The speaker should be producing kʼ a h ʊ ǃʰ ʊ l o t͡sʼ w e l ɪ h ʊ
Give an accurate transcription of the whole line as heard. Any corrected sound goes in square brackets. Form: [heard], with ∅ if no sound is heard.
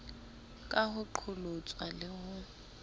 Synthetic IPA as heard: kʼ a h ʊ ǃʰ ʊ l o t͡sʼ w [a] l ɪ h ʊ

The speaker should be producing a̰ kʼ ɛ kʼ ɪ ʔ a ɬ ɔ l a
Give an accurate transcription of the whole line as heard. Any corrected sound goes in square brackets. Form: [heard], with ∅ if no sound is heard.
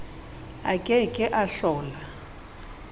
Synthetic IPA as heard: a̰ kʼ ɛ kʼ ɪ ʔ a ɬ [ɔː] l a

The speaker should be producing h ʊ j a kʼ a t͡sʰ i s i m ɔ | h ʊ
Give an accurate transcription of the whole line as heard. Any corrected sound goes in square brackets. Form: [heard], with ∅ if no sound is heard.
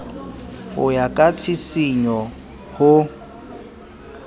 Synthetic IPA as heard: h ʊ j a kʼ a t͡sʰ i s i [ɲ] ɔ | h ʊ

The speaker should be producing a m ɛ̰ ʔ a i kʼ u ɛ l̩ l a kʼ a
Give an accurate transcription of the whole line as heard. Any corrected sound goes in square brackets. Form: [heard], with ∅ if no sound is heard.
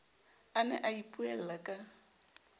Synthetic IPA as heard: a [n] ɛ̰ ʔ a i [pʼ] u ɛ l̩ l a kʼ a

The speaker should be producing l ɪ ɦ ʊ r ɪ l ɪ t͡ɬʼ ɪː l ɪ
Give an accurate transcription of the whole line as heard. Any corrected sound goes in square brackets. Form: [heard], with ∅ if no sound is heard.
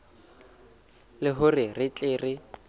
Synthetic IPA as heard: l ɪ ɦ ʊ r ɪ [r] ɪ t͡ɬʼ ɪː [r] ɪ

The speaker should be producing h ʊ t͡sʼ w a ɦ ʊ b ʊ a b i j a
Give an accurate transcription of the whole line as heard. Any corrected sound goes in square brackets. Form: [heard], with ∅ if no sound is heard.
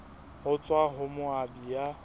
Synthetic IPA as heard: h ʊ t͡sʼ w a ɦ ʊ [m] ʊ a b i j a

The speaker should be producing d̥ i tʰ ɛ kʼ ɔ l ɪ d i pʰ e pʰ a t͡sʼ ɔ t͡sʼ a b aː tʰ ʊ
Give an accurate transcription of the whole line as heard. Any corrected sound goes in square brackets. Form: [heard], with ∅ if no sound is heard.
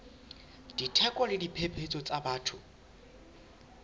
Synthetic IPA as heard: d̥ i tʰ ɛ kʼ ɔ l ɪ d i pʰ e pʰ [e] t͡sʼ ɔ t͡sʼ a b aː tʰ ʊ

